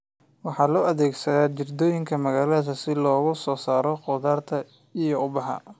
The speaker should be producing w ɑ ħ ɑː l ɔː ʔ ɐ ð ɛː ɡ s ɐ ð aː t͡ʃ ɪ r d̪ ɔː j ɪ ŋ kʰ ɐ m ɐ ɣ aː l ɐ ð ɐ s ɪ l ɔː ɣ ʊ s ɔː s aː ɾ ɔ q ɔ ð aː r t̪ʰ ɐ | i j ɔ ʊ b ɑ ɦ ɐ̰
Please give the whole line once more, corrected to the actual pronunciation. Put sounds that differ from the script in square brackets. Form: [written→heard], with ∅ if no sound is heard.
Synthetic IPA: w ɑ ħ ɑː l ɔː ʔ ɐ ð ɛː ɡ s ɐ ð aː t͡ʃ ɪ r d̪ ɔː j ɪ ŋ kʰ ɐ m ɐ ɣ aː l ɐ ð ɐ s ɪ l ɔː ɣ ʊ s ɔː s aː ɾ ɔ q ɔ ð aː r t̪ʰ ɐ | i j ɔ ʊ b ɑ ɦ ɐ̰